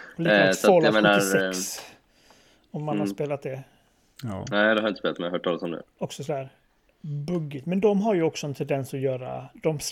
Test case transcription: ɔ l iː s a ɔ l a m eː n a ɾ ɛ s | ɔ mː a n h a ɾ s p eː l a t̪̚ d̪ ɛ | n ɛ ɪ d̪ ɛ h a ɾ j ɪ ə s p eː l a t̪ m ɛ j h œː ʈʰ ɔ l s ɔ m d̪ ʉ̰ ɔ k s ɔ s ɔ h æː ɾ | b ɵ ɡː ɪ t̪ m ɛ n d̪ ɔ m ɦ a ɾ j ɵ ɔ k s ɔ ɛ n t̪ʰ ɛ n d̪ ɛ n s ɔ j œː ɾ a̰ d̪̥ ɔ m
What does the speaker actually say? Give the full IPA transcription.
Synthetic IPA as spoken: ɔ l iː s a ɔ l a m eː n a ɾ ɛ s | ɔ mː a n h a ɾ s p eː l a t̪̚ d̪ ɛ | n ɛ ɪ d̪ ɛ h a ɾ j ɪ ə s p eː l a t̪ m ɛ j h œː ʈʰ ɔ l s ɔ m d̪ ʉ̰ ɔ k s ɔ s ɔ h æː ɾ | b ɵ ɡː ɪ t̪ m ɛ n d̪ ɔ m ɦ a ɾ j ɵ ɔ k s ɔ ɛ n t̪ʰ ɛ n d̪ ɛ n s ɔ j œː ɾ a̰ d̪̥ ɔ m